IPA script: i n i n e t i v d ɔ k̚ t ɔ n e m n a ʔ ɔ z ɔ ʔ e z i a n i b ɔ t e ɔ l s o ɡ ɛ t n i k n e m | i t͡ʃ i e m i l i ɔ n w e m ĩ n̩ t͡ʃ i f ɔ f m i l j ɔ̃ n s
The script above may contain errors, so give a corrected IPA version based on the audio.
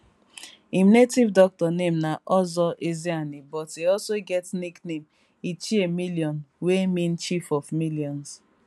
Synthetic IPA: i m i n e t i v d ɔ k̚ t ɔ n e m n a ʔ ɔ z ɔ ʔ e z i a n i b ɔ t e ɔ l s o ɡ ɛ t n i k n e m | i t͡ʃ i e m i l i ɔ n w e m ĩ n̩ t͡ʃ i f ɔ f m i l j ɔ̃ n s